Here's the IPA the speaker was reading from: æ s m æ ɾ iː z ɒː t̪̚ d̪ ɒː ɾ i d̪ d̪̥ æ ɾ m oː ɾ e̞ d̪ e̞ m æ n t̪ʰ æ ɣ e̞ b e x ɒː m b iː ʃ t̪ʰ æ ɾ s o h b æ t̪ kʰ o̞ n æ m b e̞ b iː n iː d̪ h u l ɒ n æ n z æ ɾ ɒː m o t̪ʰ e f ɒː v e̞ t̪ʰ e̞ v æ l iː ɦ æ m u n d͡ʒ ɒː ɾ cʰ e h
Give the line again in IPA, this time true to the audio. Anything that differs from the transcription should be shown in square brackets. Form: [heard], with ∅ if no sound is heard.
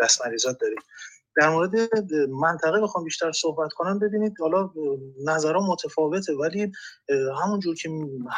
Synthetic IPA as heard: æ s m æ ɾ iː z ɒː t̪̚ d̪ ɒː ɾ i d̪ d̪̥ æ ɾ m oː ɾ e̞ d̪ e̞ m æ n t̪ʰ æ ɣ e̞ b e x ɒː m b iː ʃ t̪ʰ æ ɾ s o h b æ t̪ kʰ o̞ n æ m b e̞ b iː n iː d̪ h [ɒ] l ɒ n æ [∅] z æ ɾ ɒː m o t̪ʰ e f ɒː v e̞ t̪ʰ e̞ v æ l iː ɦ æ m u n d͡ʒ [uː] ɾ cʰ e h